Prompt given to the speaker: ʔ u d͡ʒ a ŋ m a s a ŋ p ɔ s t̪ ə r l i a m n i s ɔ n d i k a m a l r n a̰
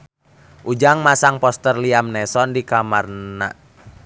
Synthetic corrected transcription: ʔ u d͡ʒ a ŋ m a s a ŋ p ɔ s t̪ ə r l i a m n ɛ s ɔ n d i k a m a r n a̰